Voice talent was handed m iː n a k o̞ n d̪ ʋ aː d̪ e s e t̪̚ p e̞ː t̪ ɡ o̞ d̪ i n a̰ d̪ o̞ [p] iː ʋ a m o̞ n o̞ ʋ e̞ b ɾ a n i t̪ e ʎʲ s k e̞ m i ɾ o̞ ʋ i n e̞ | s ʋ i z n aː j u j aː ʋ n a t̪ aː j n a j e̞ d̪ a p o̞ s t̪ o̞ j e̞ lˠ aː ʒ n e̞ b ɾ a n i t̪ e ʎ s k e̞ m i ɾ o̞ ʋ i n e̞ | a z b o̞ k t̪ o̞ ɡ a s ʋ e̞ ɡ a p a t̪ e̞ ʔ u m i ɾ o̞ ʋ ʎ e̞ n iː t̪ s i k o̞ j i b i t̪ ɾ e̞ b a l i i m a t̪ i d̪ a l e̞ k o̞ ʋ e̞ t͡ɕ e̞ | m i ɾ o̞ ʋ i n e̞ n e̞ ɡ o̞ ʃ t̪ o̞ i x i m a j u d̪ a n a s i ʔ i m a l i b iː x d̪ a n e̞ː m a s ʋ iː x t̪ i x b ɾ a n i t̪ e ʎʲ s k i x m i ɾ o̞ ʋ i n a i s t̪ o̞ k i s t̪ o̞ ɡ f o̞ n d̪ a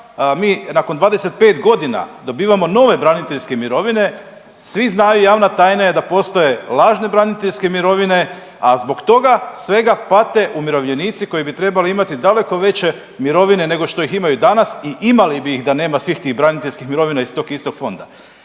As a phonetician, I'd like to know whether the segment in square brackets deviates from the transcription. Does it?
yes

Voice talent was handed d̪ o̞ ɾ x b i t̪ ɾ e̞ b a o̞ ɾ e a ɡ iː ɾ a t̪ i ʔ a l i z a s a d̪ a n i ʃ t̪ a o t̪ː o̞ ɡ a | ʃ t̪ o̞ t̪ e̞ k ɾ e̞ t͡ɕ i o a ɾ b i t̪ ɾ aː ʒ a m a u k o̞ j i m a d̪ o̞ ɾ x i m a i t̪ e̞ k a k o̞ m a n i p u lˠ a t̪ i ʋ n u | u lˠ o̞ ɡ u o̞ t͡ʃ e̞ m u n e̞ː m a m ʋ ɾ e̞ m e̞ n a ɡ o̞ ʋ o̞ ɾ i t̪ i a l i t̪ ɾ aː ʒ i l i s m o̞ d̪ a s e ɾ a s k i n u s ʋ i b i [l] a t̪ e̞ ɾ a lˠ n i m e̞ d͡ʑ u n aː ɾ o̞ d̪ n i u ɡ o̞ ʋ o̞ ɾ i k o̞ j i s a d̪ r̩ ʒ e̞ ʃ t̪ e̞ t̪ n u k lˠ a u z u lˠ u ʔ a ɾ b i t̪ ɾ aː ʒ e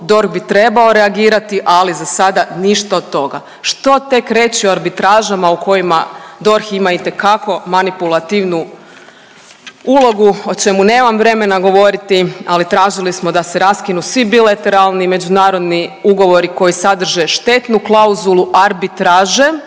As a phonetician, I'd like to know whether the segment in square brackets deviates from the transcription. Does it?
no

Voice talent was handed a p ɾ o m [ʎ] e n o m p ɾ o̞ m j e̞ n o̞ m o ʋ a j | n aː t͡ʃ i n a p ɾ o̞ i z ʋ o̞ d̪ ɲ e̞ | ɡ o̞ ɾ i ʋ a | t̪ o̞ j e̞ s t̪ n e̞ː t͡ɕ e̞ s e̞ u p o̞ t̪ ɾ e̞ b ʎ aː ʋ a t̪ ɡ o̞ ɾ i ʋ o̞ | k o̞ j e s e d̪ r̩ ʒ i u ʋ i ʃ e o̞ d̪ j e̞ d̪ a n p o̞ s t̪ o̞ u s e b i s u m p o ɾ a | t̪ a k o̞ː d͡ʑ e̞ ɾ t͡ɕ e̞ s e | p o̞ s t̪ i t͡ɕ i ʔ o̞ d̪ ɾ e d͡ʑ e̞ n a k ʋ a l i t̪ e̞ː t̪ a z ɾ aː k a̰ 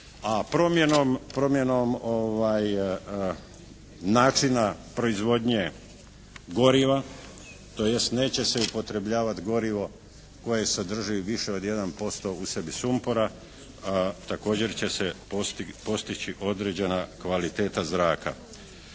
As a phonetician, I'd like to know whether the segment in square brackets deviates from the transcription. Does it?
yes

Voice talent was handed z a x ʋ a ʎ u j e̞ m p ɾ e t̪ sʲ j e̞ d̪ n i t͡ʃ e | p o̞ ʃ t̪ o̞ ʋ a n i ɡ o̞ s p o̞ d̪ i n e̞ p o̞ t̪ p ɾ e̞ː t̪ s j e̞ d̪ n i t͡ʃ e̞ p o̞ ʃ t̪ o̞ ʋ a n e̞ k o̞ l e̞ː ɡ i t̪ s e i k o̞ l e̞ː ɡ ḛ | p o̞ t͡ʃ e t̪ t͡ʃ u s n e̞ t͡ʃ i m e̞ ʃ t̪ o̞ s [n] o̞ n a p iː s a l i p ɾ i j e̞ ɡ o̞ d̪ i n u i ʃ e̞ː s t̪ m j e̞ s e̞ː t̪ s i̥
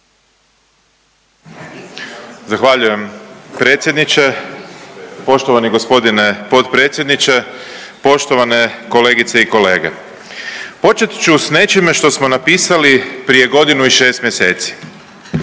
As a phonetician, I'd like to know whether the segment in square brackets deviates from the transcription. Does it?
yes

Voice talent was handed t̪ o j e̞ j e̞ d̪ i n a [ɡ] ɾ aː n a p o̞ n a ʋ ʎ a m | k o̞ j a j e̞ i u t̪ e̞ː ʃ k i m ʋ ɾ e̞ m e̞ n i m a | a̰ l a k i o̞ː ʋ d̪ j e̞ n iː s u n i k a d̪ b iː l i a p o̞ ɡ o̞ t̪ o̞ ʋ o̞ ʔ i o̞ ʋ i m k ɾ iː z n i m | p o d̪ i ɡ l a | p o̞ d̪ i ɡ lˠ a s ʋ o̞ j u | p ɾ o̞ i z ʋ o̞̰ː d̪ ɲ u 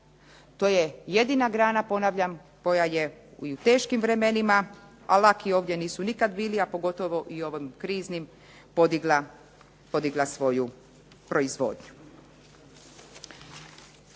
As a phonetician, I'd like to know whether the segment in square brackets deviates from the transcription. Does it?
no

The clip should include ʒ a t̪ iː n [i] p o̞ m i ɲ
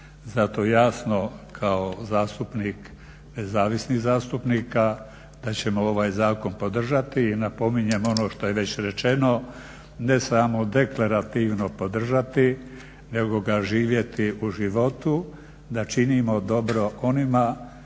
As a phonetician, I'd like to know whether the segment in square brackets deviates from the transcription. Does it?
yes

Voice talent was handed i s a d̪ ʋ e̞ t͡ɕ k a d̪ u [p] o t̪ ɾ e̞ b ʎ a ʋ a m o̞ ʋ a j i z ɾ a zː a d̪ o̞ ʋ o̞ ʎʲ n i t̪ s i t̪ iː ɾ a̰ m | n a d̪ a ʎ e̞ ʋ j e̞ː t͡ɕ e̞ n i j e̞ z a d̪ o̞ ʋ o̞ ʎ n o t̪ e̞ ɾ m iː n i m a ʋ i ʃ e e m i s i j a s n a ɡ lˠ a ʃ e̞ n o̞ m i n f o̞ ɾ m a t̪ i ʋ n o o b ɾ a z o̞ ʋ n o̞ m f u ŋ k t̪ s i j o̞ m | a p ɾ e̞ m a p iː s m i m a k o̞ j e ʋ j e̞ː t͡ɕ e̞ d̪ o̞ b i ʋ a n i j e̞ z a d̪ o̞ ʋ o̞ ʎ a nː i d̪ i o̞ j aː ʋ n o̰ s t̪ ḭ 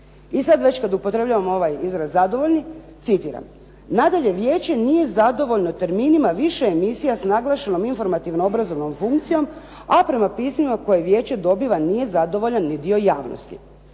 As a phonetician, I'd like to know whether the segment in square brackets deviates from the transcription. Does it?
no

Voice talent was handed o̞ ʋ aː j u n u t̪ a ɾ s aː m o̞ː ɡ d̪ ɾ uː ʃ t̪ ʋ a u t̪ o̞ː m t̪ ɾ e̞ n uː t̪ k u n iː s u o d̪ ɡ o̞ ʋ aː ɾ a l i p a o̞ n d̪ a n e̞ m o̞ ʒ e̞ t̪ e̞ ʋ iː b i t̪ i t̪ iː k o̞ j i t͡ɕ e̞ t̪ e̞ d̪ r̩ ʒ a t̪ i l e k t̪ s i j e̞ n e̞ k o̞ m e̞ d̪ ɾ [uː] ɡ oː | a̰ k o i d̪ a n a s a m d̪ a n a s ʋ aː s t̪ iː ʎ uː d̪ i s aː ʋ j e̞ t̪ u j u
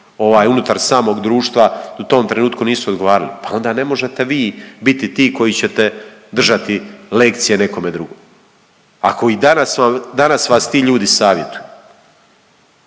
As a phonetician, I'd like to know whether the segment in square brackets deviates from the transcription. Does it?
yes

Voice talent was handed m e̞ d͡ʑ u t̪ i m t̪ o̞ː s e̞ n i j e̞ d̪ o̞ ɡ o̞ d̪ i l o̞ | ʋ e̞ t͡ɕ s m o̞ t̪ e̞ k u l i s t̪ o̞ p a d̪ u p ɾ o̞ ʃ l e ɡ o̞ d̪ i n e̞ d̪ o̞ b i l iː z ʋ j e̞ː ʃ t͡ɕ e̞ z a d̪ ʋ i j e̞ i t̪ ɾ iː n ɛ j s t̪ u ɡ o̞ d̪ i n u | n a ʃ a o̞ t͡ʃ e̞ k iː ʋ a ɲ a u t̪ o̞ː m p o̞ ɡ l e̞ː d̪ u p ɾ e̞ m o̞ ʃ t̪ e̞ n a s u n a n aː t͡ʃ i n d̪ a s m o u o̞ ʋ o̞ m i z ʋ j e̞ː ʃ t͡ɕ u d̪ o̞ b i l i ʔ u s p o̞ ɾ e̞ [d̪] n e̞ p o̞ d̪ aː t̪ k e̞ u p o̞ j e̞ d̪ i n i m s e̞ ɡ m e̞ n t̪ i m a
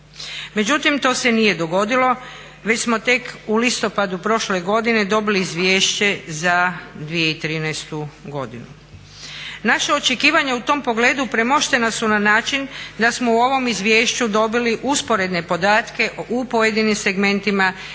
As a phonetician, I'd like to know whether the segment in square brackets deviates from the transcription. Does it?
no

